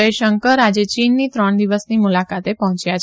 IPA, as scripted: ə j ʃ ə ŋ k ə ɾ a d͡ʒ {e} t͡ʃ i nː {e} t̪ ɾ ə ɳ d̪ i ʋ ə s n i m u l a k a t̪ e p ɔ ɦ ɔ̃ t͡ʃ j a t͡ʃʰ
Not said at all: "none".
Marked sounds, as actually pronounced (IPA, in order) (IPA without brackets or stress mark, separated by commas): e, i